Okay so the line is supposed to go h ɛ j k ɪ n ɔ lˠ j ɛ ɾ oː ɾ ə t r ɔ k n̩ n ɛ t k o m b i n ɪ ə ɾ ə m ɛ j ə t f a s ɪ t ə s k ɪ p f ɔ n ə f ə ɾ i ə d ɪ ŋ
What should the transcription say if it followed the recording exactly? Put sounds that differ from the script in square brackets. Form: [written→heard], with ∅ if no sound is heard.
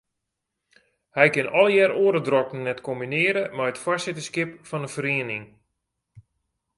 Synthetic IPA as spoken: h ɛ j k ɪ n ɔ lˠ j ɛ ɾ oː ɾ ə [t→d] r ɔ k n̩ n ɛ t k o m b i n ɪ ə ɾ ə m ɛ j ə t f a s ɪ t ə s k ɪ p f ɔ n ə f ə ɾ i ə [d→n] ɪ ŋ

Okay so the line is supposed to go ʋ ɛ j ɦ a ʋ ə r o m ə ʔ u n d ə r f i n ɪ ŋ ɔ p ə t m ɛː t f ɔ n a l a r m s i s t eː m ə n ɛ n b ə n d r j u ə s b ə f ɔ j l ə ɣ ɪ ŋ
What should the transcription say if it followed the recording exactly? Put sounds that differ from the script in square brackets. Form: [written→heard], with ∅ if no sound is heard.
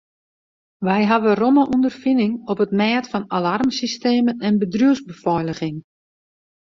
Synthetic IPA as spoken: ʋ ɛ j ɦ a ʋ ə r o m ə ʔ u n d ə r f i n ɪ ŋ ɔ p ə t m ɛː t f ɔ n a l a r m s i s t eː m ə n ɛ n b ə [n→∅] d r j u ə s b ə f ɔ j l ə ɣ ɪ ŋ

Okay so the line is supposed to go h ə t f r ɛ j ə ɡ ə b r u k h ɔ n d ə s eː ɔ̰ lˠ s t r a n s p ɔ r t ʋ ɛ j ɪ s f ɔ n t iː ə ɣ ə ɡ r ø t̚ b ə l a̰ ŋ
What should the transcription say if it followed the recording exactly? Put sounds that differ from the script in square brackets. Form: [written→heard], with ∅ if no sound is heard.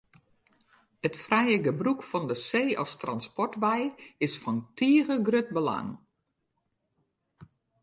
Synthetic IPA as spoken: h ə t f r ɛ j ə ɡ ə b r u k [h→f] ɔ n d ə s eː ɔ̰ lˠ s t r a n s p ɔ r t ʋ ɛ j ɪ s f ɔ n t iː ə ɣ ə ɡ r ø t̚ b ə l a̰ ŋ

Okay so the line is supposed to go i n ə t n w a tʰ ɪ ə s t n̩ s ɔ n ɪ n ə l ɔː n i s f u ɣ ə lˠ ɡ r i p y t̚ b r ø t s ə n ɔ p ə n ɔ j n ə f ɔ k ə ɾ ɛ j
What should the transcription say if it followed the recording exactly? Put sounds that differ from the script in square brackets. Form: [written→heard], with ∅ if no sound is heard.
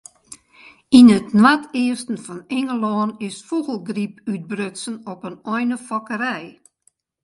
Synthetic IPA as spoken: i n ə t n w a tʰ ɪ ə s t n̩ [s→f] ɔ n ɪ [n→ŋ] ə l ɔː n [i→ɪ] s f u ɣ ə lˠ ɡ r i p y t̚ b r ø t s ə n ɔ p ə n ɔ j n ə f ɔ k ə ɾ ɛ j

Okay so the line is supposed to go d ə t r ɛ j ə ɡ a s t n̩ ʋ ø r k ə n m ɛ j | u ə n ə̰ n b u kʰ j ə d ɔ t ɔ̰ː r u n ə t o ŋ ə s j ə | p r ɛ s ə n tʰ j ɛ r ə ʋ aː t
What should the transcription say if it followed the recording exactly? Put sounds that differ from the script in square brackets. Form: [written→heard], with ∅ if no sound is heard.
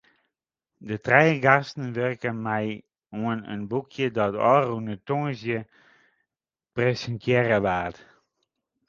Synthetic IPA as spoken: d ə t r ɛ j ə ɡ a s t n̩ ʋ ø r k ə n m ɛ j | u ə n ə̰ n b u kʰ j ə d ɔ t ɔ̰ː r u n ə t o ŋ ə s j ə | p r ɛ s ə n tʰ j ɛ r ə ʋ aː t

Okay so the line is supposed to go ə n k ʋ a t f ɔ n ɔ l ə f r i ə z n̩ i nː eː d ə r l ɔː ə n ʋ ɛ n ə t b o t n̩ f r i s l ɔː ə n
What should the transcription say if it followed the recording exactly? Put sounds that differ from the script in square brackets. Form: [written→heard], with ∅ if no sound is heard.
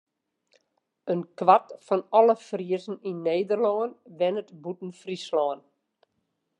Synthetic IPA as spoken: ə n k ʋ a t f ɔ n ɔ l ə f r i ə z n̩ i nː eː d ə r l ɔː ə n ʋ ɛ n ə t b [o→u] t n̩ f r i s l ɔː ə n

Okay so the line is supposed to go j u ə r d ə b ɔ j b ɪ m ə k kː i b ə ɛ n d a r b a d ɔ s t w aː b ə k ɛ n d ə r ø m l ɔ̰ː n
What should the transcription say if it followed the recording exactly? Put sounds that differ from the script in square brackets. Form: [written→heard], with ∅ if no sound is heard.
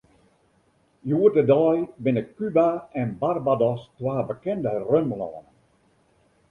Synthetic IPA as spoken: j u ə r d ə [b→d] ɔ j b ɪ [m→n] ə k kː [i→y] b [ə→a] ɛ n [d→b] a r b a d ɔ s t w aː b ə k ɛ n d ə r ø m l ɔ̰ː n

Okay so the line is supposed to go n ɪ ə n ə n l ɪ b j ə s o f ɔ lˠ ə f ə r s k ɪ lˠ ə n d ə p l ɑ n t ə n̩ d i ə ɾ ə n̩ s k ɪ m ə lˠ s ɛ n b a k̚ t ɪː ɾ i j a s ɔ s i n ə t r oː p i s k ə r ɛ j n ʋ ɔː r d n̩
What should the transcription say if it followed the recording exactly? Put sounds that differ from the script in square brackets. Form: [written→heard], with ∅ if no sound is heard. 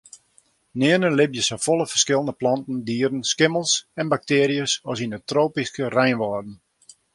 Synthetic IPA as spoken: n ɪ ə n ə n l ɪ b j ə s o f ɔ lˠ ə f ə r s k ɪ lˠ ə n d ə p l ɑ n t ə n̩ d i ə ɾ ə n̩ s k ɪ m ə lˠ s ɛ n b a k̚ t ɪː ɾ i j [a→ə] s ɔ s i n ə t r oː p i s k ə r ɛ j n ʋ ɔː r d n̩

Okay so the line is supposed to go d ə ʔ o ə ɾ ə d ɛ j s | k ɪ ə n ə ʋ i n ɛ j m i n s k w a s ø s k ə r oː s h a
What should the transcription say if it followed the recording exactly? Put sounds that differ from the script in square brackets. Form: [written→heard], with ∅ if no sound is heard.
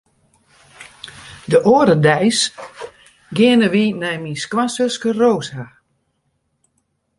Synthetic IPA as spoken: d ə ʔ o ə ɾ ə d ɛ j s | [k→ɡ] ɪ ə n ə ʋ i n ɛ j m i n s k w a s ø s k ə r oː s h a

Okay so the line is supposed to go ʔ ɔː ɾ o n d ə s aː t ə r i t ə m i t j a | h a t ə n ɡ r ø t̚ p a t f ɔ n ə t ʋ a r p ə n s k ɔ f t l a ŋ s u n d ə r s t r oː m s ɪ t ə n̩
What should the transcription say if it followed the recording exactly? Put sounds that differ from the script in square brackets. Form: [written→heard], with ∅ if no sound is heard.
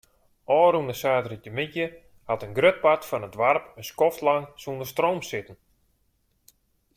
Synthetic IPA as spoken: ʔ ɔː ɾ [o→u] n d ə s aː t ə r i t ə m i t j [a→ə] | h a t ə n ɡ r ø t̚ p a t f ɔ n ə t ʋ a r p ə n s k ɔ f t l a ŋ s u n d ə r s t r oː m s ɪ t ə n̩

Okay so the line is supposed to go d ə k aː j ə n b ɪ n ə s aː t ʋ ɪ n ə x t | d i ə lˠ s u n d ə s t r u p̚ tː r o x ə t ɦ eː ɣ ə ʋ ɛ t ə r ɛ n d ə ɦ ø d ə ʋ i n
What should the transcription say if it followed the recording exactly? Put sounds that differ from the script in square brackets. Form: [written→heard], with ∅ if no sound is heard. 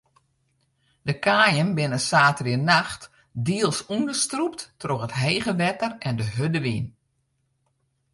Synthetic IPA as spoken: d ə k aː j ə n b ɪ n ə s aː t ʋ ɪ n [ə→a] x t | d i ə lˠ s u n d ə s t r u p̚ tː r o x ə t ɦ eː ɣ ə ʋ ɛ t ə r ɛ n d ə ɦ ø d ə ʋ i n

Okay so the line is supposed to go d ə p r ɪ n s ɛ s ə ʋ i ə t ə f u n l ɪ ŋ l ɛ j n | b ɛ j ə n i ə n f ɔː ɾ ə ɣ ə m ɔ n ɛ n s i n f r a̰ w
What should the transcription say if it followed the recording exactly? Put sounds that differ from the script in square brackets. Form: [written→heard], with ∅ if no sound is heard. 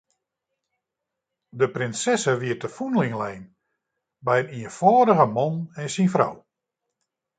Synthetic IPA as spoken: d ə p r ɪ n s ɛ s ə ʋ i ə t ə f u n l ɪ ŋ l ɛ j n | b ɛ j ə n i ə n f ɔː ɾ ə ɣ ə m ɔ n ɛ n s i n f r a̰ w

